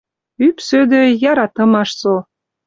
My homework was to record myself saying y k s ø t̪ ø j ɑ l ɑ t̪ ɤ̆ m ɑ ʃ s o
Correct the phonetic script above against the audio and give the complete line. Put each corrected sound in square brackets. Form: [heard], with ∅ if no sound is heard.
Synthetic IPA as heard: y [p] s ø [d̪] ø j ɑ [ɾ] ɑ t̪ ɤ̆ m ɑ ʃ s o